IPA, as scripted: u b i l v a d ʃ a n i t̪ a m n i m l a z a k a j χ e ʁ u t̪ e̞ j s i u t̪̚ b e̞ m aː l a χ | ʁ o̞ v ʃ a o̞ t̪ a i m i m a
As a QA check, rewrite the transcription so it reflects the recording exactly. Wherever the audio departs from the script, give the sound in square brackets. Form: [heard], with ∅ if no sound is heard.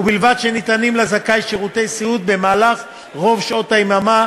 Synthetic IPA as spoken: u b i l v a d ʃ [e] n i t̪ a [∅] n i m l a z a k a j [ʃ] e ʁ u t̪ e̞ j s i u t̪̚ b e̞ m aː l a χ | ʁ o̞ v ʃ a o̞ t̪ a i m [a] m a